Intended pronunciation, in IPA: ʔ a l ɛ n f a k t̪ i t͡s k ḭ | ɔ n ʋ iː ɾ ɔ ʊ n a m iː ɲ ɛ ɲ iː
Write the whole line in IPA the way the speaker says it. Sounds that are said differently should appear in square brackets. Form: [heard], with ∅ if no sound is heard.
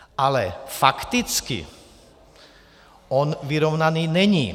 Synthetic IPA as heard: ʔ a l ɛ [∅] f a k t̪ i t͡s k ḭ | ɔ n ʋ [i] ɾ ɔ ʊ n a [n] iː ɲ ɛ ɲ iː